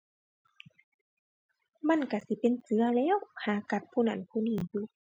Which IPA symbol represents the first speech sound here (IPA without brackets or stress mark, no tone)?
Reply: m